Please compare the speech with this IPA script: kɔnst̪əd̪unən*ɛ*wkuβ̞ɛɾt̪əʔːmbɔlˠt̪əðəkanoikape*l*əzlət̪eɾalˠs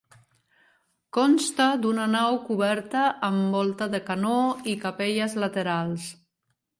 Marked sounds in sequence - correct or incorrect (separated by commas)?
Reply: incorrect, incorrect